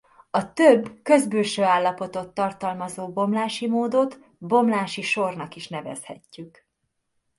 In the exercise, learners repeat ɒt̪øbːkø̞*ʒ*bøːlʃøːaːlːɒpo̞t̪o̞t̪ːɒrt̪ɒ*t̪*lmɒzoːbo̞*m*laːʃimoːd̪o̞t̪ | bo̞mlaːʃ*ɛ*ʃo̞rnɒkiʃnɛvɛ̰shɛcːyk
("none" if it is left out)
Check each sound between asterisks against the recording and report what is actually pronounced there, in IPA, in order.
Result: z, none, m, i

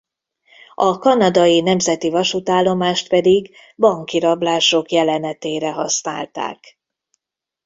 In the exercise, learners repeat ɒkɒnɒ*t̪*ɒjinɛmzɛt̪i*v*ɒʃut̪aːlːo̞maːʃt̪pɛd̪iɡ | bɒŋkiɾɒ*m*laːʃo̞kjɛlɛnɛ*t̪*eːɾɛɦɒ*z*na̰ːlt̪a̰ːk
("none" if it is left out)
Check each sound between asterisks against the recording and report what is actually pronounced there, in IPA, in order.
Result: d̪, v, b, t̪, s

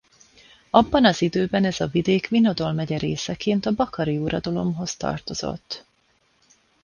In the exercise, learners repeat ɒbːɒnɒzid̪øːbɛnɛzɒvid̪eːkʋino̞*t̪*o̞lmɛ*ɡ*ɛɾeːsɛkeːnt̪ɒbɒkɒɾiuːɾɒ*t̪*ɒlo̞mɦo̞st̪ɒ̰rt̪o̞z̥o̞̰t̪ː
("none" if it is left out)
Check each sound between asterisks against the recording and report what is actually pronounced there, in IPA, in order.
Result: d̪, ɟ, d̪

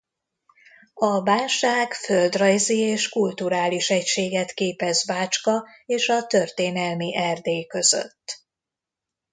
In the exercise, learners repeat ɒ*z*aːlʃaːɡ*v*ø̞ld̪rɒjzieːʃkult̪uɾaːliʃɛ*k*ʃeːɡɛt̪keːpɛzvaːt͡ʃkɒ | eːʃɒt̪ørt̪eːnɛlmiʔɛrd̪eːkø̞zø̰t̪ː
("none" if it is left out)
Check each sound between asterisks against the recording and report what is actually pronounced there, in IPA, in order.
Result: v, f, c

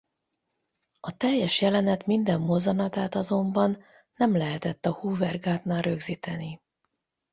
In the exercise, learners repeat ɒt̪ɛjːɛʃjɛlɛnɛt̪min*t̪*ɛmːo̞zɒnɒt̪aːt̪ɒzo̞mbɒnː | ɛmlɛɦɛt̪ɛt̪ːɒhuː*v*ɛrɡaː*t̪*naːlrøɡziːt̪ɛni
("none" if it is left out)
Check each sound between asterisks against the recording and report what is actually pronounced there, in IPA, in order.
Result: d̪, v, t̪

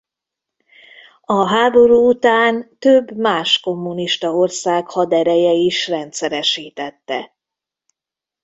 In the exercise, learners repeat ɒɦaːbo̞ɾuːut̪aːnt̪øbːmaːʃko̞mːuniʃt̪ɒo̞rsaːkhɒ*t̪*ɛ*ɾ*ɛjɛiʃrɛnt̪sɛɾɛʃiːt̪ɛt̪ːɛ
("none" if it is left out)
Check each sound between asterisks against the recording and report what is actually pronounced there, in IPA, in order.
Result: d̪, ɾ

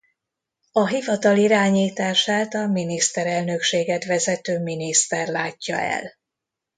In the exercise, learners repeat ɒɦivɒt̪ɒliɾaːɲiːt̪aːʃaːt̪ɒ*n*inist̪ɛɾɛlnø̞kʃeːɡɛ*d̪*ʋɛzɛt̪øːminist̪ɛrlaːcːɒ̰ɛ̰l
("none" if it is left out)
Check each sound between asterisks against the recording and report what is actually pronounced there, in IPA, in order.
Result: m, t̪

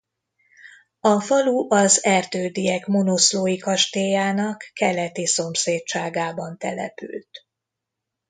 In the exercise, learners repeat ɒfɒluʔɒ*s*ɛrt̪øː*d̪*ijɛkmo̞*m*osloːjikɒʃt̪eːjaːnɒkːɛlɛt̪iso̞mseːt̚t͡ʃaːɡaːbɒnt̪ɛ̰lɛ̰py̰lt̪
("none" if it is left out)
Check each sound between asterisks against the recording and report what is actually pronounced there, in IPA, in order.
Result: z, d̪, n

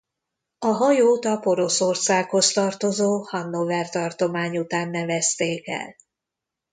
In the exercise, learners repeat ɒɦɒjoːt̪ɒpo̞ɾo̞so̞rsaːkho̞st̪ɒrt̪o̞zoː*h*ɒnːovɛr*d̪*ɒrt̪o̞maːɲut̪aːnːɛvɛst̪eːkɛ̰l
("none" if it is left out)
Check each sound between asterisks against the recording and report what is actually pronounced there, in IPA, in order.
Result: h, t̪

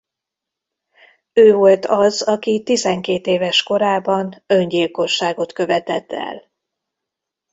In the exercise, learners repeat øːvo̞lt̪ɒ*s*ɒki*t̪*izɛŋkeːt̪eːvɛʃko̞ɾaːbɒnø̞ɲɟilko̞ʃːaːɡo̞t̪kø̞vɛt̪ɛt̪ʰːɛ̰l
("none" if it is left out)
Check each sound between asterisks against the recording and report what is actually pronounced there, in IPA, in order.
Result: z, t̪

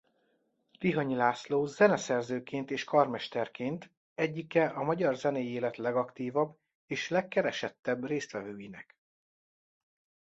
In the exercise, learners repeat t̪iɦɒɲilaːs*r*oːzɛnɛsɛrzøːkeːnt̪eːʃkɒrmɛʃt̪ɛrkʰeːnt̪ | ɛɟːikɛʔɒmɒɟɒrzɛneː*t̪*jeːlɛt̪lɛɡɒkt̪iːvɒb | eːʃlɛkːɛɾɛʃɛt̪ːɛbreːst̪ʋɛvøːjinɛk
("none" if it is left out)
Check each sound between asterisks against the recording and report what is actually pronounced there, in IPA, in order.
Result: l, none

